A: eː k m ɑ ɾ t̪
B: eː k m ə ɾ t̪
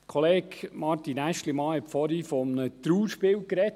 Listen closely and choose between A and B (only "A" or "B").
A